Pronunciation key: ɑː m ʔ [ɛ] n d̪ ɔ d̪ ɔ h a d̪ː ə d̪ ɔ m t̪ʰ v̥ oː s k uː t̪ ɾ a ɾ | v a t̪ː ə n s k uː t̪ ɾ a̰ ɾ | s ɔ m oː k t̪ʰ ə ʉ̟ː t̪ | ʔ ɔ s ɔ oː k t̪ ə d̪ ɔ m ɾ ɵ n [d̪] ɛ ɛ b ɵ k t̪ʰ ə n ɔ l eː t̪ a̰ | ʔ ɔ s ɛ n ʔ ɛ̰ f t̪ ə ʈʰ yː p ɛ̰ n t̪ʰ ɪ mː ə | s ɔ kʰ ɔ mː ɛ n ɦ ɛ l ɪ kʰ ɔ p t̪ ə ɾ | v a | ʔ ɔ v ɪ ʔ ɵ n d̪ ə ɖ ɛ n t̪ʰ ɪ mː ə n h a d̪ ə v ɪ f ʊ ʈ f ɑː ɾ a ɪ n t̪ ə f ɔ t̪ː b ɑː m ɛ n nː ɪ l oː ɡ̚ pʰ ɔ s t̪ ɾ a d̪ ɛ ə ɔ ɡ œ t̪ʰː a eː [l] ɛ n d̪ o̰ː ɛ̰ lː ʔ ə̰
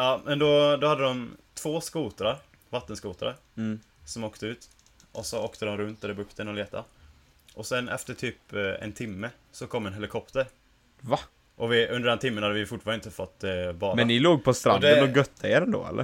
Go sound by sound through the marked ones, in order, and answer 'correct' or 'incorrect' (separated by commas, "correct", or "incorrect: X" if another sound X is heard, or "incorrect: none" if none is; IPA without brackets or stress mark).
correct, incorrect: t̪, incorrect: ɾ